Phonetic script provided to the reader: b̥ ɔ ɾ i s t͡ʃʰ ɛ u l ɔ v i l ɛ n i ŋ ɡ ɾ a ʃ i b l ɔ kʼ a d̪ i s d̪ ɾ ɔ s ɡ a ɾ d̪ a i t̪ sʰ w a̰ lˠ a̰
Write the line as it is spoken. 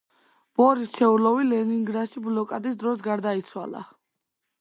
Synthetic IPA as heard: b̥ ɔ ɾ i s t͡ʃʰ ɛ u l ɔ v i l ɛ n i ŋ ɡ ɾ a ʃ i b l ɔ kʼ a d̪ i s d̪ ɾ ɔ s ɡ a ɾ d̪ a i t̪ sʰ w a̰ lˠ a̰